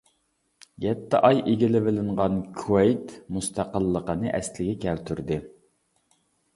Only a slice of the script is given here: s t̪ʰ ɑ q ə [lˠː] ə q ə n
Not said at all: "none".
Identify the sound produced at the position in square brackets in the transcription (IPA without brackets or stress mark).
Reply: lˠː